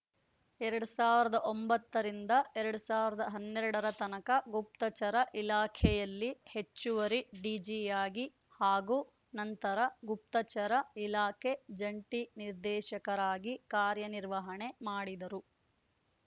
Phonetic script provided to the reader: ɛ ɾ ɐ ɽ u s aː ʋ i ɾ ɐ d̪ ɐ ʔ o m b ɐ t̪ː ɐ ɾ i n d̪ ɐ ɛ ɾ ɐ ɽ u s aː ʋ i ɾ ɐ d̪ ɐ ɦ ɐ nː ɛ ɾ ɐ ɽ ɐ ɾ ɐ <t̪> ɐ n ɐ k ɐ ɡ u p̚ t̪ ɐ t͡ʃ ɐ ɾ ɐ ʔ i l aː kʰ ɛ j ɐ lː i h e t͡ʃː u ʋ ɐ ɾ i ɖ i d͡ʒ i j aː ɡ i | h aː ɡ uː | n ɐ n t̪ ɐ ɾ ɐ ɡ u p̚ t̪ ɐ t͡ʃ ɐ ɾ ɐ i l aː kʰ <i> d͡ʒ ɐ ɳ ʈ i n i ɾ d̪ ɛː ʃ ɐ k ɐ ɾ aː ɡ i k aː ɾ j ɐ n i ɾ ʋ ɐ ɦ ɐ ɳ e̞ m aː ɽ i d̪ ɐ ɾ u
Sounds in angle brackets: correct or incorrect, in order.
correct, incorrect

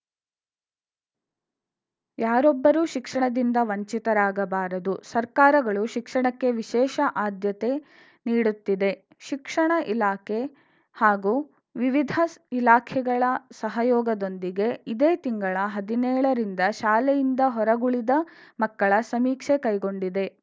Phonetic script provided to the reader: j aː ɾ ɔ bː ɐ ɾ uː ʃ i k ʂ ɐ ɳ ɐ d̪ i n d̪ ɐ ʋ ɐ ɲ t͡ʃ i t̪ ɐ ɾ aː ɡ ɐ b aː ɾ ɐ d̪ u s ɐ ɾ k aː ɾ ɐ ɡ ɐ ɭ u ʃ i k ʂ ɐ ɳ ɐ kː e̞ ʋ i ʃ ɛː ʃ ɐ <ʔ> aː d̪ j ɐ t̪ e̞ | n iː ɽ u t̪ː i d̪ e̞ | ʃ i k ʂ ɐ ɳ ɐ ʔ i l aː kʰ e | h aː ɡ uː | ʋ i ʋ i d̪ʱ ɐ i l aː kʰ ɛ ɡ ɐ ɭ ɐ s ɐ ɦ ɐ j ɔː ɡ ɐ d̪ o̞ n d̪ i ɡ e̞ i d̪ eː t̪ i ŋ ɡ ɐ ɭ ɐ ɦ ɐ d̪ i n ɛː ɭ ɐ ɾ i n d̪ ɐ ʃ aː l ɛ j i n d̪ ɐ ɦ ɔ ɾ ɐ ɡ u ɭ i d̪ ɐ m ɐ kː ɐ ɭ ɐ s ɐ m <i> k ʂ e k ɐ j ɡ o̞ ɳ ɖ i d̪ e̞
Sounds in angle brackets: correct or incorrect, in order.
correct, incorrect

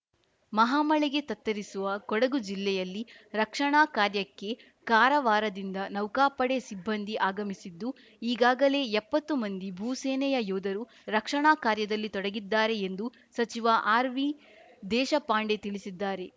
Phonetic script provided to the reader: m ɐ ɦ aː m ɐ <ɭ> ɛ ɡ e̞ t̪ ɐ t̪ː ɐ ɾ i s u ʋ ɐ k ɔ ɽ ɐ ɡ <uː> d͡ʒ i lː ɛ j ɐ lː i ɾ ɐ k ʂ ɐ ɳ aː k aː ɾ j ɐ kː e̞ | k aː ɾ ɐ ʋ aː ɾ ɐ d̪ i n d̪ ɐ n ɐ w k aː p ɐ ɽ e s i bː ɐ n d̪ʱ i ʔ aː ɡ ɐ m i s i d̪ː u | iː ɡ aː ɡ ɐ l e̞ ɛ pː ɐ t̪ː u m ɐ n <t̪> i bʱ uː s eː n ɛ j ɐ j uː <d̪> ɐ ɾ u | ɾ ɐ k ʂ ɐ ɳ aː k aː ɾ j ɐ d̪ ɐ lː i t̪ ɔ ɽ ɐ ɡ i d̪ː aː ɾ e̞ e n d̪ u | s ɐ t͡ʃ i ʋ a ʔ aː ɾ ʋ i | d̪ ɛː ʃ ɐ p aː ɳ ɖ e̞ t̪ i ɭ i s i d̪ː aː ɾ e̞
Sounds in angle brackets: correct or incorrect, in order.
correct, incorrect, incorrect, correct

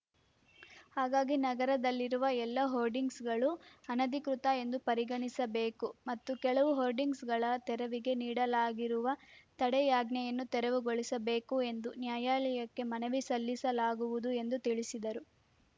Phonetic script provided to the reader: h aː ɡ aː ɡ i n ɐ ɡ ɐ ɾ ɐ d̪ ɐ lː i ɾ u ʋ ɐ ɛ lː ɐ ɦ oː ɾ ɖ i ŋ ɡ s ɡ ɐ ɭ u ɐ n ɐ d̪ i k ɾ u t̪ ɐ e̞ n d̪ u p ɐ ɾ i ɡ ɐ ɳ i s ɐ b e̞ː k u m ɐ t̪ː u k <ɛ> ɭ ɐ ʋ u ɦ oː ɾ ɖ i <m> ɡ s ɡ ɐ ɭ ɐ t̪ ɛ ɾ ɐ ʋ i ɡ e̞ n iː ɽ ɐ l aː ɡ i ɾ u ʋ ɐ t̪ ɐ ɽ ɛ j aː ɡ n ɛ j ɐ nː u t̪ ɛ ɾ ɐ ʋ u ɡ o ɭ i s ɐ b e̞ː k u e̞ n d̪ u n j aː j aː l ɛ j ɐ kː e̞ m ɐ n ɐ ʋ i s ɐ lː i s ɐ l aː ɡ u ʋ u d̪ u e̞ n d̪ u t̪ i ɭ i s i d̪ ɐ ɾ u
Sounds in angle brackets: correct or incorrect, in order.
correct, incorrect

